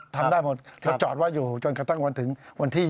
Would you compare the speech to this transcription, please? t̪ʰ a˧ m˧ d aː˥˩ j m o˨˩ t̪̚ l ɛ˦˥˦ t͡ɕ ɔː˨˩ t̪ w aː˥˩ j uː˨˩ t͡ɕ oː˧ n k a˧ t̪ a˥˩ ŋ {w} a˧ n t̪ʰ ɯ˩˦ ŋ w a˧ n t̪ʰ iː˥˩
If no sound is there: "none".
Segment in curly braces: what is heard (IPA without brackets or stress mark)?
w